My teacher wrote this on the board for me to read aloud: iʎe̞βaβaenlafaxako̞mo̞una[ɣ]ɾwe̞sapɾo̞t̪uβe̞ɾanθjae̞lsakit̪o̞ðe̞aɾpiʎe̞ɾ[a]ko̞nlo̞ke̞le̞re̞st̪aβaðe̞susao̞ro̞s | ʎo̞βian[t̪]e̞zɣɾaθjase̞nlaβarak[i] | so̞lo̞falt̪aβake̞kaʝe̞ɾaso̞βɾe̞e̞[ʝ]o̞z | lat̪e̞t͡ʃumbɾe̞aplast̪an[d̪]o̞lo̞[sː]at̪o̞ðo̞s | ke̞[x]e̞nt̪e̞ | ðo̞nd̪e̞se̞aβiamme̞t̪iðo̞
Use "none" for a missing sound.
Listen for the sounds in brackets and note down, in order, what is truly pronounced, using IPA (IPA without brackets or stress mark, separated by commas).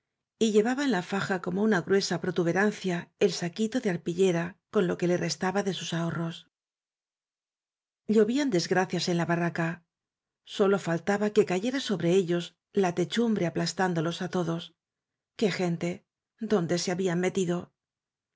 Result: ɣ, a, d̪, a, ʎ, d̪, s, x